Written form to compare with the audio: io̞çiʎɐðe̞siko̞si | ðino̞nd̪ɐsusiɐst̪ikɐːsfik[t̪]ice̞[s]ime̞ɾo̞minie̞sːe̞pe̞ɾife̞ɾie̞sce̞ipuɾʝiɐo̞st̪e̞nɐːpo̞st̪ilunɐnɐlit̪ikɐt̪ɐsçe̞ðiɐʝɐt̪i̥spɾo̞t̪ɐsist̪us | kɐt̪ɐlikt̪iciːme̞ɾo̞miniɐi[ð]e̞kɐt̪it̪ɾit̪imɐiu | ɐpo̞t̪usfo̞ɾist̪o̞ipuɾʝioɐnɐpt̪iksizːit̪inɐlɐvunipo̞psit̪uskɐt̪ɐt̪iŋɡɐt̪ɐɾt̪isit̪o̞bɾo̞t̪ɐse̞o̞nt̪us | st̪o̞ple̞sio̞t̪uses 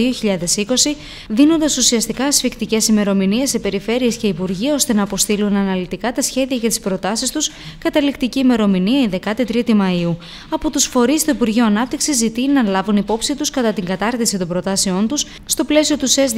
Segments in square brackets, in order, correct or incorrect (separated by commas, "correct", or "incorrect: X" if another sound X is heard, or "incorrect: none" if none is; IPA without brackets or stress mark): correct, correct, correct